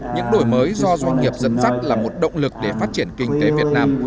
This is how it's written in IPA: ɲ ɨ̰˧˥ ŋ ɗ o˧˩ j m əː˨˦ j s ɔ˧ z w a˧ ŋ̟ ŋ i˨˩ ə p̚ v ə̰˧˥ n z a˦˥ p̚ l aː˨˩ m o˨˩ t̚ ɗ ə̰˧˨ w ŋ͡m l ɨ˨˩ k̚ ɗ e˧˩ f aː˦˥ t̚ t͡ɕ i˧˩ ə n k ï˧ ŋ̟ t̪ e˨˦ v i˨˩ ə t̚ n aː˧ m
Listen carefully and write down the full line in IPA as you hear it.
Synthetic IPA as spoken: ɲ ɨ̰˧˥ ŋ ɗ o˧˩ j m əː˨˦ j z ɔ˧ z w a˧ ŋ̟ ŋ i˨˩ ə p̚ z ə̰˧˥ n z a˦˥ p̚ l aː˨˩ m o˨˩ t̚ ɗ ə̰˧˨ w ŋ͡m l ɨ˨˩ k̚ ɗ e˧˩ f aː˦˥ t̚ t͡ɕ i˧˩ ə n k ï˧ ŋ̟ t̪ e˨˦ v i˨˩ ə t̚ n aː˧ m